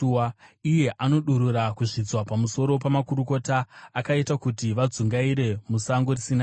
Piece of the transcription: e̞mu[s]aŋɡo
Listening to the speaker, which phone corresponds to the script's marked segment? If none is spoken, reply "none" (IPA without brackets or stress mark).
s